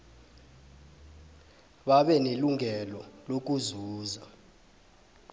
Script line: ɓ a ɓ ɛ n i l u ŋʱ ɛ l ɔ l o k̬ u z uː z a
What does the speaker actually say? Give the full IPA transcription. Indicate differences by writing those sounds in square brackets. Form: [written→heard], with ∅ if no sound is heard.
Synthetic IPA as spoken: ɓ a ɓ ɛ n [i→e] l u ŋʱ ɛ l ɔ l o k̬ u z uː z a